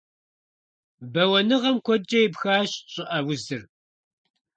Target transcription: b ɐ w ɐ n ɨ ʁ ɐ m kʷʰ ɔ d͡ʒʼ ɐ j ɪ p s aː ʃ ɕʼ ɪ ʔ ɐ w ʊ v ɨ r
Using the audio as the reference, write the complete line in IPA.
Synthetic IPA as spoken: b ɐ w ɐ n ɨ ʁ ɐ m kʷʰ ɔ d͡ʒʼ ɐ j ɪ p x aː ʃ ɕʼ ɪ ʔ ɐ w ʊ z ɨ r